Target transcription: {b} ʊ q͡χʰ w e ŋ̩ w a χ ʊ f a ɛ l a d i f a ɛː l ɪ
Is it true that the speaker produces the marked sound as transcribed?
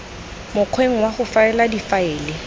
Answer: no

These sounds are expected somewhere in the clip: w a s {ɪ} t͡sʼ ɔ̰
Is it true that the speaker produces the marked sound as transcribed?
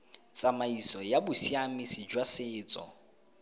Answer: no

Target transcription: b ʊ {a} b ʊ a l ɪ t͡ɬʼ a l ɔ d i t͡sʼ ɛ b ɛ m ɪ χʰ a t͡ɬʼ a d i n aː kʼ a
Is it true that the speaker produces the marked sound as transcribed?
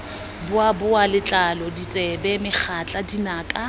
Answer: yes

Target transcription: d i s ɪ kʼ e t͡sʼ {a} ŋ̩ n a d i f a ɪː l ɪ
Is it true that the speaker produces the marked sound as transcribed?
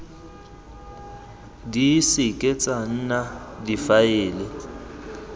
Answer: yes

